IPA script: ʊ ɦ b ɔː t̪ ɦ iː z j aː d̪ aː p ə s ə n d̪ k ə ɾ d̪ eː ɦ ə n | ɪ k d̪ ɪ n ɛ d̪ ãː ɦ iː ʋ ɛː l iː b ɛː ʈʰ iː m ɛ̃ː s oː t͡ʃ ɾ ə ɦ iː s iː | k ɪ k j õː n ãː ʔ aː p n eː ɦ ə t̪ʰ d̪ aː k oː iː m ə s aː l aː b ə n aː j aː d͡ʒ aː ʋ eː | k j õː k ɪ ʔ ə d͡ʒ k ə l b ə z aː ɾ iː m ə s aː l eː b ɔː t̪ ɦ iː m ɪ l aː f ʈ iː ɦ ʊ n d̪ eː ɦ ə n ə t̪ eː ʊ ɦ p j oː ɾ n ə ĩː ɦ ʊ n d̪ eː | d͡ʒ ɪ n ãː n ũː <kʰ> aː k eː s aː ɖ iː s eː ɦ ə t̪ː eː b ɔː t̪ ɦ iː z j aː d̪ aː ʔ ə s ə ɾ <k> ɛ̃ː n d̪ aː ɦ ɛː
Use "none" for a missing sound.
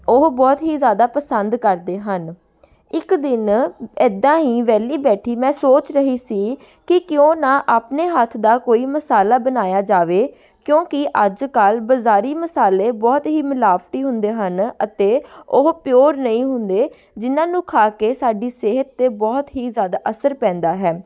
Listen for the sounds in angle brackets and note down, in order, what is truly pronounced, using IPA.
kʰ, p

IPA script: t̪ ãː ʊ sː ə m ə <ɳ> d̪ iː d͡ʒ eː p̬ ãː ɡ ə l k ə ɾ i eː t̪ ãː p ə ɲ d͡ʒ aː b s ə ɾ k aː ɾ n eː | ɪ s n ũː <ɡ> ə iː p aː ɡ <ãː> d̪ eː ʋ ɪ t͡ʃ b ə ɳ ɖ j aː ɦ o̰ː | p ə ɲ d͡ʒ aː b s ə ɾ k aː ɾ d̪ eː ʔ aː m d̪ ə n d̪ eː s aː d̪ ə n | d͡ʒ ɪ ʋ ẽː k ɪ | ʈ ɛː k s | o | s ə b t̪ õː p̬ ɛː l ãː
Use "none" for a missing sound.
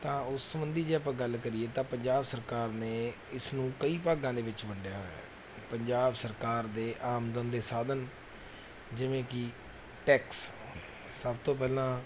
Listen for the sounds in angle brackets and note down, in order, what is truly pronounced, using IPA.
n, k, ãː

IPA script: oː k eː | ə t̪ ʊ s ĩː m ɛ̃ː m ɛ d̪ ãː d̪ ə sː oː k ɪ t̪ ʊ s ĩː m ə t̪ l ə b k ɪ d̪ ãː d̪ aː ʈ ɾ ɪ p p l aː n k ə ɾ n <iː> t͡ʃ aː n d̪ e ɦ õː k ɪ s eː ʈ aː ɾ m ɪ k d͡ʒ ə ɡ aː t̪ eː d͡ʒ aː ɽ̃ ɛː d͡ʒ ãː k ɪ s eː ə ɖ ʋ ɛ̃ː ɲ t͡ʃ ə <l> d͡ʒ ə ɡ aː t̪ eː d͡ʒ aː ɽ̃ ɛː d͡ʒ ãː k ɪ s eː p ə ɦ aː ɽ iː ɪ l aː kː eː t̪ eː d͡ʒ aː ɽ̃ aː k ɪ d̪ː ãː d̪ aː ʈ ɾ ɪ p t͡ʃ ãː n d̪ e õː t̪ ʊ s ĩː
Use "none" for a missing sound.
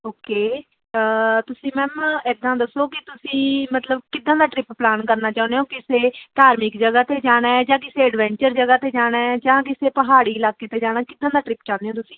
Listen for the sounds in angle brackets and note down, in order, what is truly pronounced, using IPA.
aː, ɾ

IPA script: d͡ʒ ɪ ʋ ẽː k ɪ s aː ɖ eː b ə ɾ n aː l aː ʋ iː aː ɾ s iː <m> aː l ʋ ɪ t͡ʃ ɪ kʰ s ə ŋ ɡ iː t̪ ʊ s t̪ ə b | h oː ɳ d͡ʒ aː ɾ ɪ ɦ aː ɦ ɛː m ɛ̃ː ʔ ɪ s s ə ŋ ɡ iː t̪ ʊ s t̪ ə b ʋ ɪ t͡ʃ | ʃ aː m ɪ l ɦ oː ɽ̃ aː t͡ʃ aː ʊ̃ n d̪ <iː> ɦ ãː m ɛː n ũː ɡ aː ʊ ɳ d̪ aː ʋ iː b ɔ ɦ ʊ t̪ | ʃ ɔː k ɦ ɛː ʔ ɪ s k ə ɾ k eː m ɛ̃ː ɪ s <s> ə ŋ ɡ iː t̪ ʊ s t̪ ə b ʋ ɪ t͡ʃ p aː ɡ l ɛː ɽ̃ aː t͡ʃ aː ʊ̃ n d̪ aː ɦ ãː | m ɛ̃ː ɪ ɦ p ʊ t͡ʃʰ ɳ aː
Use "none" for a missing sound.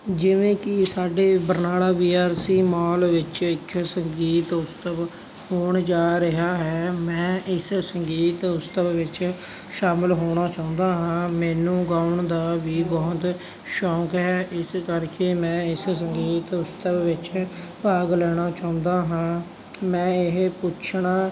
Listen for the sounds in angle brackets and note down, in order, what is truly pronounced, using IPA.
m, aː, s

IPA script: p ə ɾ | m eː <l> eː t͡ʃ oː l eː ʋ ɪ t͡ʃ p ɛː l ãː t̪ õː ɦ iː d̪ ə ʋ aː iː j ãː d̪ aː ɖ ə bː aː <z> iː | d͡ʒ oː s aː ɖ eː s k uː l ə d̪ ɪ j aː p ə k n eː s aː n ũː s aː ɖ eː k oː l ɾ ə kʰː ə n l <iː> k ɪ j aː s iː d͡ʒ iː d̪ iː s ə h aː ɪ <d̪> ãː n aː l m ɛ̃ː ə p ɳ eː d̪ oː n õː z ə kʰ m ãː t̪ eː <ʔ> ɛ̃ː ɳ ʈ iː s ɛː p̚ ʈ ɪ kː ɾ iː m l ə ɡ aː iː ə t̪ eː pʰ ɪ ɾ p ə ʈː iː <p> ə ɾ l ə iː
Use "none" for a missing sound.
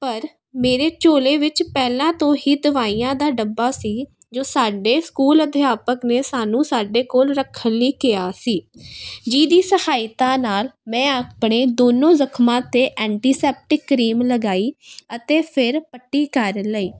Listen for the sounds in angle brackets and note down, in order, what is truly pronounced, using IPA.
ɾ, s, iː, t̪, ʔ, k

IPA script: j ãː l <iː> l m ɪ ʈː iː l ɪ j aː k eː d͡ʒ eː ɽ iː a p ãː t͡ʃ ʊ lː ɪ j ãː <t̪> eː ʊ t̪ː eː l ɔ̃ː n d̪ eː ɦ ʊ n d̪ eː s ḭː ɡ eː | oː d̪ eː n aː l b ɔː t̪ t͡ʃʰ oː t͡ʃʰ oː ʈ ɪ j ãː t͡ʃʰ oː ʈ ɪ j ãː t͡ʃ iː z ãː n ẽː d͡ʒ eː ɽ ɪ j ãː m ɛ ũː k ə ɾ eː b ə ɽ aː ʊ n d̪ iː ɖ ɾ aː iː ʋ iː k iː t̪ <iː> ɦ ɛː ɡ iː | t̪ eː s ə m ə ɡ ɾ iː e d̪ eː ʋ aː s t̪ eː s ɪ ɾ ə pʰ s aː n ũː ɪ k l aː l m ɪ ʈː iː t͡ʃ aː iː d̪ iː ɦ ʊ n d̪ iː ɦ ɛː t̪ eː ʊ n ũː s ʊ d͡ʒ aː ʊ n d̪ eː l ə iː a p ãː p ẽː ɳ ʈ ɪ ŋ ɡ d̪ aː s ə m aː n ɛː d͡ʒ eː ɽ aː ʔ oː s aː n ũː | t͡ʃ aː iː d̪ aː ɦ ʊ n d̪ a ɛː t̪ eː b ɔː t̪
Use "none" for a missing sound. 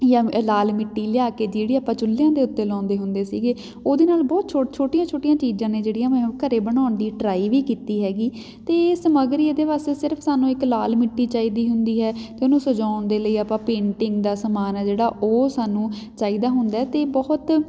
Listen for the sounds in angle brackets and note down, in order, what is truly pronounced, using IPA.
aː, d̪, iː

